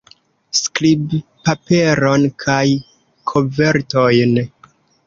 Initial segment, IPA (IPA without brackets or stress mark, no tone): s